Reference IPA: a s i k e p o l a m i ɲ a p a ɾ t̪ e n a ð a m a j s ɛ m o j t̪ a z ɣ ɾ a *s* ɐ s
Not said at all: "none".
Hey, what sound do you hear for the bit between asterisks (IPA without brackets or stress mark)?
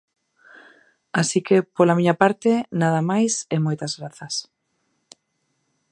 θ